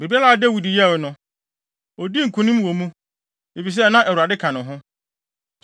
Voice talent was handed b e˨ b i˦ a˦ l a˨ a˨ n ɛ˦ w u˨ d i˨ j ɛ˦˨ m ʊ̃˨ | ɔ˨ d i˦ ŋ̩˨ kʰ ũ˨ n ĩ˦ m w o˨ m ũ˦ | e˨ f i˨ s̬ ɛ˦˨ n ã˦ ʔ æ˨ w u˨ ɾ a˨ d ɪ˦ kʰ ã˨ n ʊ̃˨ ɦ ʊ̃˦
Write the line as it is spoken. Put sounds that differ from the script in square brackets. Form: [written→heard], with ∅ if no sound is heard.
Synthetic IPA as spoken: b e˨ b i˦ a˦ l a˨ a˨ [n→d] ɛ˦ w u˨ d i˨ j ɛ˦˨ [m→n] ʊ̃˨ | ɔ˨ d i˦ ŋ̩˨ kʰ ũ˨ n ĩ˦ m w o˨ m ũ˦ | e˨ f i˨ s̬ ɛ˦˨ n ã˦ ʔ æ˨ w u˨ ɾ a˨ d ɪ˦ kʰ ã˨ n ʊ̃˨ ɦ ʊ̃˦

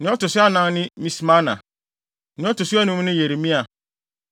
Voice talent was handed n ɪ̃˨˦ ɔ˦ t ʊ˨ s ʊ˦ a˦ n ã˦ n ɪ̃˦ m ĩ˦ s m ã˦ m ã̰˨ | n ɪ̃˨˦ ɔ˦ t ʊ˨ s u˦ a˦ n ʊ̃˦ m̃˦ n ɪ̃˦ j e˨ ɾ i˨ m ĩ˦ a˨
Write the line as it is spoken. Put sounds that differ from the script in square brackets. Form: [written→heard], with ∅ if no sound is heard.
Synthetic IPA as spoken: n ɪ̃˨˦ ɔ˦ t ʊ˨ s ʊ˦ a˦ n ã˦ n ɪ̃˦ m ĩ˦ s m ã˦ [m→n] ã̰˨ | n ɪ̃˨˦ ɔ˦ t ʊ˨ s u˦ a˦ n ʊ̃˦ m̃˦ n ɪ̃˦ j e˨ ɾ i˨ m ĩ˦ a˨

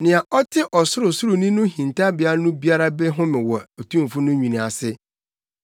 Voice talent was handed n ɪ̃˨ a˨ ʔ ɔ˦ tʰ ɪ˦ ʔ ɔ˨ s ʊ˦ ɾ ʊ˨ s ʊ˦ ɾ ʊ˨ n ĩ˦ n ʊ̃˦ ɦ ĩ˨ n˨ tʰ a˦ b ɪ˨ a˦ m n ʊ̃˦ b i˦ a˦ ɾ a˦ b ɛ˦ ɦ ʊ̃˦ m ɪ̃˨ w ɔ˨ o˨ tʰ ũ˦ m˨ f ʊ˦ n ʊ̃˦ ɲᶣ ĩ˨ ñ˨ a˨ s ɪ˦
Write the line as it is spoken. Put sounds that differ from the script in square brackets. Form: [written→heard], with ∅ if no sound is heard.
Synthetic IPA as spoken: n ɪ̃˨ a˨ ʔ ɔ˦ tʰ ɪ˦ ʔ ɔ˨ s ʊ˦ ɾ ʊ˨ s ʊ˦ ɾ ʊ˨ n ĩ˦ n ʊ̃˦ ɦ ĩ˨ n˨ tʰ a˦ b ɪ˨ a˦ [m→∅] n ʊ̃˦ b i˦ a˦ ɾ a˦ b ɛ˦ ɦ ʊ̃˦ m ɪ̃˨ w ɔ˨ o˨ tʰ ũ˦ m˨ f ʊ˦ n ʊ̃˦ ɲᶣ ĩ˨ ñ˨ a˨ s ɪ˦

